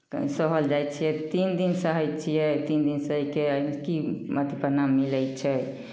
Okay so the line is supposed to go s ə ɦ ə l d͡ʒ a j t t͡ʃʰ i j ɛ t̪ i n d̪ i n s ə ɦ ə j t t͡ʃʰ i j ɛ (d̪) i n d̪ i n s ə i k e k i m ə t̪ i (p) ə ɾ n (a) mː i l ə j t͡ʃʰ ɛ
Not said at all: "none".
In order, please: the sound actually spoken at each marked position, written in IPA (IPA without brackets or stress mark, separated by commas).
t̪, p, a